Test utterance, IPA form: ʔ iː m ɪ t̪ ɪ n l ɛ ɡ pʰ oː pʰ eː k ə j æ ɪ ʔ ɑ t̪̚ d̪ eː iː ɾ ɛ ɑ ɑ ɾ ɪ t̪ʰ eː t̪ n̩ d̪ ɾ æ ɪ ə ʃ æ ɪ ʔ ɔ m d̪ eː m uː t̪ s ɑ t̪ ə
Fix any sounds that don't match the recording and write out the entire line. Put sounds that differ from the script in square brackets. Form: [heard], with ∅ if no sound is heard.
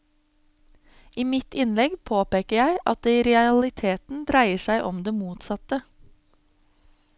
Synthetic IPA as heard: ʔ iː m ɪ t̪ ɪ n l ɛ ɡ pʰ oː [p] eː k ə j æ ɪ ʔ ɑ t̪̚ d̪ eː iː ɾ ɛ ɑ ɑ [l] ɪ t̪ʰ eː t̪ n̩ d̪ ɾ æ ɪ ə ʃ æ ɪ ʔ ɔ m d̪ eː m uː t̪ s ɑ t̪ ə